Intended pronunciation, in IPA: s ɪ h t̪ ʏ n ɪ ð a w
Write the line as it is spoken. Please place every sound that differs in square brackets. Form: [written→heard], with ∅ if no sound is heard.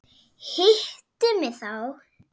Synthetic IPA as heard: [s→h] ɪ h t̪ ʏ [n→m] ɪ [ð→θ] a w